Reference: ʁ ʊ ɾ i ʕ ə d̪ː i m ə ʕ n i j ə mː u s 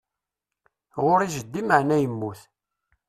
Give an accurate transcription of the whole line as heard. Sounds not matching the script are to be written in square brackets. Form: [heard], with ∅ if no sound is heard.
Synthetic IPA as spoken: ʁ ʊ ɾ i [ʒ] ə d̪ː i m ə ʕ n [æ] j ə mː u [θ]